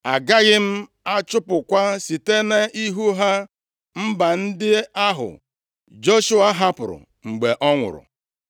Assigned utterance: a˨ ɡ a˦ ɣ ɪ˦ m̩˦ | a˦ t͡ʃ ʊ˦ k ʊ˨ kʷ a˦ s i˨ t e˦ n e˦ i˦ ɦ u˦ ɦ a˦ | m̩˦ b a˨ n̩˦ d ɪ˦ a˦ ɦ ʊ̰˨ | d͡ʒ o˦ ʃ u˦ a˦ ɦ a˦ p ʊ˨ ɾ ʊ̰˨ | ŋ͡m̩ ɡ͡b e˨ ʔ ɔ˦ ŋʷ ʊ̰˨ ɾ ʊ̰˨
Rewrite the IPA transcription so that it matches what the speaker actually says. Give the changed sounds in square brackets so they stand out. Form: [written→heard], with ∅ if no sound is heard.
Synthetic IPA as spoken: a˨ ɡ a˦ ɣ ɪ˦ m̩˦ | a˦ t͡ʃ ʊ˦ [k→p] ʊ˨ kʷ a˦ s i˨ t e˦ n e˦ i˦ ɦ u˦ ɦ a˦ | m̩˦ b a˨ n̩˦ d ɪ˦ a˦ ɦ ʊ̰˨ | d͡ʒ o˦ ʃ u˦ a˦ ɦ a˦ p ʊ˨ ɾ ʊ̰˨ | ŋ͡m̩ ɡ͡b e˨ ʔ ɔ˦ ŋʷ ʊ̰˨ ɾ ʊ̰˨